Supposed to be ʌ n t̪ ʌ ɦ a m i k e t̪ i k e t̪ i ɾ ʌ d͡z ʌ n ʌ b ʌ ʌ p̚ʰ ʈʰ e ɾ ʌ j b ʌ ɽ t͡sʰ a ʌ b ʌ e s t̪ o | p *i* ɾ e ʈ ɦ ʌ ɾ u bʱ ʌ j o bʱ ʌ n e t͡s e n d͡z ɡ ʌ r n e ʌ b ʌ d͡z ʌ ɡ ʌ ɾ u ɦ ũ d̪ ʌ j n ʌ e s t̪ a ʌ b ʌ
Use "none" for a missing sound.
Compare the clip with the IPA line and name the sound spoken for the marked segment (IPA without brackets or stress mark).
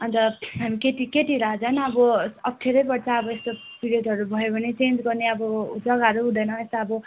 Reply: i